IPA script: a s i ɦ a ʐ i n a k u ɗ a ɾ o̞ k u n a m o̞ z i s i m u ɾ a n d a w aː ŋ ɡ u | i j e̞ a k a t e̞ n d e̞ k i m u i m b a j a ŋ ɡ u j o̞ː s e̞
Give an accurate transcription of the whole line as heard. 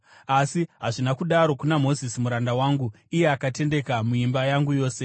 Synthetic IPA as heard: a s i ɦ a ʐ i n a k u ɗ a ɾ o̞ k u n a m o̞ z i s i m u ɾ a n d a w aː ŋ ɡ u | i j e̞ a k a t e̞ n d e̞ k a m u i m b a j a ŋ ɡ u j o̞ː s e̞